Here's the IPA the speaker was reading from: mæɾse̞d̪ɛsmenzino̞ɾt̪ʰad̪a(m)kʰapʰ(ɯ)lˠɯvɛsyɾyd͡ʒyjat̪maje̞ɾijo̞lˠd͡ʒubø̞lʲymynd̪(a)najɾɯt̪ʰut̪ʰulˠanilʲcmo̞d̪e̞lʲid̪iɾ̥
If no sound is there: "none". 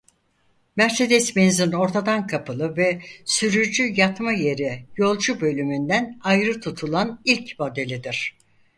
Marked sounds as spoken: n, ɯ, æ

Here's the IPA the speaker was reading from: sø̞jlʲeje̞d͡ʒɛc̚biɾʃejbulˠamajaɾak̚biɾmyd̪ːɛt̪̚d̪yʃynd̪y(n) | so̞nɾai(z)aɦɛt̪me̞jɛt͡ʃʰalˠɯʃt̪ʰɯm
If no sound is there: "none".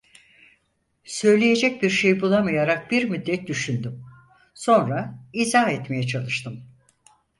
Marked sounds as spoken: m, z

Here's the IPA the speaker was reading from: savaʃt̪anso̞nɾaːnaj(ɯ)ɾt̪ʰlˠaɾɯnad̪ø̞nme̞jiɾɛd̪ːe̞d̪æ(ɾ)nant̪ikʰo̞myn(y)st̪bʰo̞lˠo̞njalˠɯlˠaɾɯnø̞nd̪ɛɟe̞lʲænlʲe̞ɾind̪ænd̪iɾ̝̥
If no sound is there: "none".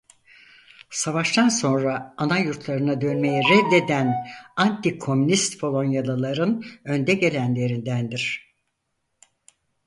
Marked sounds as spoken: u, none, i

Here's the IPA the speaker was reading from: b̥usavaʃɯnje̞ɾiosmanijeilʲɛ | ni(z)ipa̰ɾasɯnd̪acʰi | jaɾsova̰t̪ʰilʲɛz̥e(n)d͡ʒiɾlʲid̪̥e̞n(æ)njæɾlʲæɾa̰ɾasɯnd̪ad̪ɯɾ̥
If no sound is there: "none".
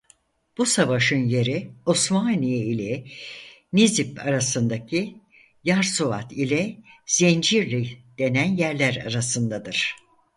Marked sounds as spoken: z, n, æ

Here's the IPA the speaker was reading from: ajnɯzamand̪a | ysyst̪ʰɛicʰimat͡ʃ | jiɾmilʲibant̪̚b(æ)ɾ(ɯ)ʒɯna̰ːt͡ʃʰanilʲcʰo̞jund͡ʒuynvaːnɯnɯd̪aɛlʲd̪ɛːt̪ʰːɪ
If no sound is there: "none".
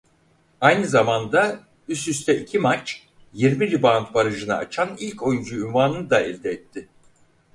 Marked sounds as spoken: a, ɯ

